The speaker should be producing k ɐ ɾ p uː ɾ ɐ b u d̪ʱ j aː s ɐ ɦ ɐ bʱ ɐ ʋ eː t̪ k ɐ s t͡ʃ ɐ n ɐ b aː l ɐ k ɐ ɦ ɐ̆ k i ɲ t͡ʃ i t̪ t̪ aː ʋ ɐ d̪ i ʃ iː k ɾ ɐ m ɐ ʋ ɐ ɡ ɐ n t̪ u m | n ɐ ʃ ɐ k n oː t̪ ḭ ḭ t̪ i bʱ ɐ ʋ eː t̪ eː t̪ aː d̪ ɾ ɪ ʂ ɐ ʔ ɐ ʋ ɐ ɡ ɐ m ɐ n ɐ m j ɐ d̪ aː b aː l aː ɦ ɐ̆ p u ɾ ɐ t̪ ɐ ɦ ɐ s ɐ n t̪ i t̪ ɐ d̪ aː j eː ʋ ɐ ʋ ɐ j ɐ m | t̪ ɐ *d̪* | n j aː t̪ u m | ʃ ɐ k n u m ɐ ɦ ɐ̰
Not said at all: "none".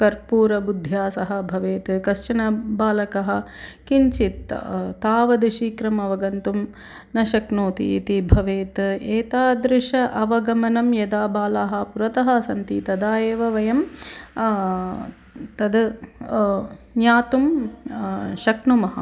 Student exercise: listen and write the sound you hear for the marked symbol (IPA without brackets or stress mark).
d̪